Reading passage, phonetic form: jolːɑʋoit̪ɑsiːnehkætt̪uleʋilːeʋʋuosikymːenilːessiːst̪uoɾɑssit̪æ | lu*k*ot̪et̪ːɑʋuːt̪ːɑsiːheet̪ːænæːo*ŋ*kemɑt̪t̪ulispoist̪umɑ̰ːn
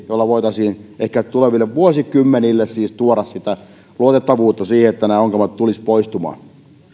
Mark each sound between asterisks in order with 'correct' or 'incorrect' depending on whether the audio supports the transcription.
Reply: incorrect: none, correct

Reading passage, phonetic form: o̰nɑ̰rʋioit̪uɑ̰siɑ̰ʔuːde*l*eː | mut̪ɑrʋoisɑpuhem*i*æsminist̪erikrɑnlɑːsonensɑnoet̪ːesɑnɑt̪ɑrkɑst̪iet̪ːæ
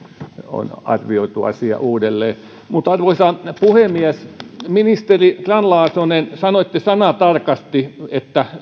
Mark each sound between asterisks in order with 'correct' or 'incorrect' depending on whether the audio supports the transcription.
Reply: incorrect: lː, correct

